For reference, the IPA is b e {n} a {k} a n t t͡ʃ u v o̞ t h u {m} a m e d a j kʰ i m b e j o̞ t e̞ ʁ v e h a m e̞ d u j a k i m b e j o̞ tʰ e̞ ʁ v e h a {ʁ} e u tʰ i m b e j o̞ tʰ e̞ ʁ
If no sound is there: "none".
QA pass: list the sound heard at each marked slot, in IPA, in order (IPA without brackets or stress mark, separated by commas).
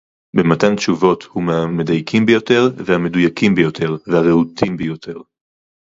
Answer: m, t, m, ʁ